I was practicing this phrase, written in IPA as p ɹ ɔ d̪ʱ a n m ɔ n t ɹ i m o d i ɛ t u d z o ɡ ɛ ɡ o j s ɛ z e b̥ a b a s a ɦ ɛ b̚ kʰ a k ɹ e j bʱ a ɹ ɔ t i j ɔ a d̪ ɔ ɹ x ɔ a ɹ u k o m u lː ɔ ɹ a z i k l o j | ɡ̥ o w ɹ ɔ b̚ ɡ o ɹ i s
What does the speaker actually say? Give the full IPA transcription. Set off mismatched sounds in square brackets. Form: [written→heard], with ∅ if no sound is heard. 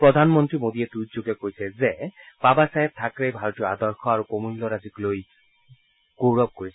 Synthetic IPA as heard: p ɹ ɔ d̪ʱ a n m ɔ n t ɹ i m o d i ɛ t u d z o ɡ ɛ [ɡ→k] o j s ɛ z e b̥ a b a s a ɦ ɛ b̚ [kʰ→tʰ] a k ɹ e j bʱ a ɹ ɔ t i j ɔ a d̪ ɔ ɹ x ɔ a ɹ u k o m u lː ɔ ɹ a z i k l o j | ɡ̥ o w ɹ ɔ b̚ [ɡ→k] o ɹ i s